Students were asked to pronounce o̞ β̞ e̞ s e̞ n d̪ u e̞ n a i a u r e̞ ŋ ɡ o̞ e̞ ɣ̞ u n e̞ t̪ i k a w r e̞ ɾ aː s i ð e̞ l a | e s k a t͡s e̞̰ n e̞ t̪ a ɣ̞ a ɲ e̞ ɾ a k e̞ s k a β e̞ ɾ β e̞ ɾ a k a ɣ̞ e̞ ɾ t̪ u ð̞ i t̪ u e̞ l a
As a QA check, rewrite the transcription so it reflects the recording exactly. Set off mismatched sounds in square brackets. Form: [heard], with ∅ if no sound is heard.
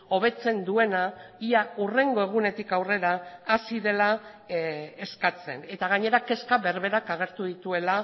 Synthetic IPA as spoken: o̞ β̞ e̞ [t͡s] e̞ n d̪ u e̞ n a i a u r e̞ ŋ ɡ o̞ e̞ ɣ̞ u n e̞ t̪ i k a w r e̞ ɾ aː s i ð e̞ l a | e s k a t͡s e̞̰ n e̞ t̪ a ɣ̞ a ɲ e̞ ɾ a k e̞ s k a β e̞ ɾ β e̞ ɾ a k a ɣ̞ e̞ ɾ t̪ u ð̞ i t̪ u e̞ l a